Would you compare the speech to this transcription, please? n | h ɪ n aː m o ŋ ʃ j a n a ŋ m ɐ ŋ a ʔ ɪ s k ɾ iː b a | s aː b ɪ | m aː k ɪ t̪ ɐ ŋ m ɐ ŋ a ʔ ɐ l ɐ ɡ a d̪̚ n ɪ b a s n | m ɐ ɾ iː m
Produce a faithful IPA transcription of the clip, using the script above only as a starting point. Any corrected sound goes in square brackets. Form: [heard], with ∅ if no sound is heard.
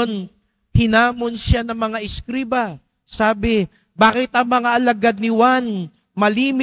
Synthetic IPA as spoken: n | h ɪ n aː m o [n] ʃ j a n [ɐ] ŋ m ɐ ŋ a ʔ ɪ s k ɾ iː b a | s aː b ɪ | [b] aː k ɪ t̪ ɐ ŋ m ɐ ŋ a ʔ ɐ l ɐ ɡ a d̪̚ n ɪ [w] a [∅] n | m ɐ [l] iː m